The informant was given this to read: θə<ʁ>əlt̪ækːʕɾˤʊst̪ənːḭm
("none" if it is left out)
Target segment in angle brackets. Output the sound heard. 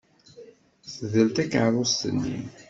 ð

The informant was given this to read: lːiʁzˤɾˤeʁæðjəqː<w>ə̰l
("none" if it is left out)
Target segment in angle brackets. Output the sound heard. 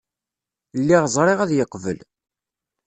v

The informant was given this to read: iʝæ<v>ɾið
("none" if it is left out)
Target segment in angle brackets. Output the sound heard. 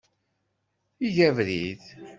v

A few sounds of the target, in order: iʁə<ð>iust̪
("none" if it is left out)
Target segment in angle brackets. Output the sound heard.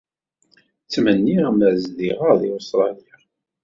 ð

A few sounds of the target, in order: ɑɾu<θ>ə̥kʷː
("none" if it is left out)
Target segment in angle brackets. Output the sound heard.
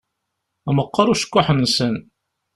ʃ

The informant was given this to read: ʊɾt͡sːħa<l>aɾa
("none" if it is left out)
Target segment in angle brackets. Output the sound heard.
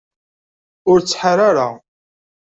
ɾ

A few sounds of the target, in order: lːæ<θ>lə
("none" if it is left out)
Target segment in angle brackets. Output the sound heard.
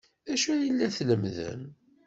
θ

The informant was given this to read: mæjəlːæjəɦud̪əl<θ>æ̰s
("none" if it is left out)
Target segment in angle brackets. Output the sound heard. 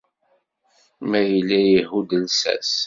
s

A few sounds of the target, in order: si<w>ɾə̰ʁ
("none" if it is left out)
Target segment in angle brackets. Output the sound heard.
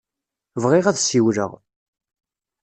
w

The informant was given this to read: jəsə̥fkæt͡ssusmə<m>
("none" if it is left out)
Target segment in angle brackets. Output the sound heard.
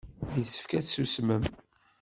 m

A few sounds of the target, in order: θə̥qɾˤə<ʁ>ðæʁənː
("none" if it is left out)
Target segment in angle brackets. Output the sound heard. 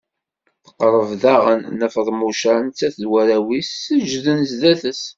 v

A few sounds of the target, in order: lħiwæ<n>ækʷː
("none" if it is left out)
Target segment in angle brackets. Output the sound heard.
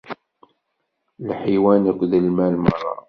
n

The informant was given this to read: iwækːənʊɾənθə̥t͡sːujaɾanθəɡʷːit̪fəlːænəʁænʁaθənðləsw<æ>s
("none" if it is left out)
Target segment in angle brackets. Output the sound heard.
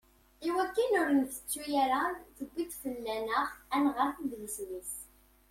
i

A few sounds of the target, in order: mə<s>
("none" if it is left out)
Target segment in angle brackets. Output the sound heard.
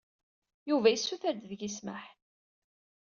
ħ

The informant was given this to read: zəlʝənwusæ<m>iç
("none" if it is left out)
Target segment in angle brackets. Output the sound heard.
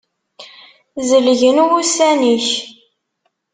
n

